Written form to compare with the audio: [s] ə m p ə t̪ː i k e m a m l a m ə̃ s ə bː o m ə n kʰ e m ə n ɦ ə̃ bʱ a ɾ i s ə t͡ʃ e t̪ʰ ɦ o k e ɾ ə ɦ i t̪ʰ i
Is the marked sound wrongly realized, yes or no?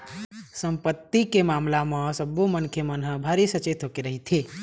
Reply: no